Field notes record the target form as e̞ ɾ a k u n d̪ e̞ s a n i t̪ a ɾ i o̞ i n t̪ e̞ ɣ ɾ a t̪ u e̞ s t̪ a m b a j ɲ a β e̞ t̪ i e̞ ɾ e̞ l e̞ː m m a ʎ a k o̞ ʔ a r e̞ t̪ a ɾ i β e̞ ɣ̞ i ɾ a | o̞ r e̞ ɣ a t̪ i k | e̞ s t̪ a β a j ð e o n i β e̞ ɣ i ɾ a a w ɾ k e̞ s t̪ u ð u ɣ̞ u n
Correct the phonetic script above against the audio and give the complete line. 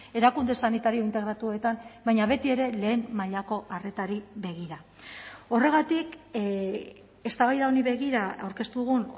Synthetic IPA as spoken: e̞ ɾ a k u n d̪ e̞ s a n i t̪ a ɾ i o̞ i n t̪ e̞ ɣ ɾ a t̪ u e̞ t̪ a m b a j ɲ a β e̞ t̪ i e̞ ɾ e̞ l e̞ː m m a ʎ a k o̞ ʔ a r e̞ t̪ a ɾ i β e̞ ɣ̞ i ɾ a | o̞ r e̞ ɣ a t̪ i k | e̞ s t̪ a β a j ð a o n i β e̞ ɣ i ɾ a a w ɾ k e̞ s t̪ u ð u ɣ̞ u n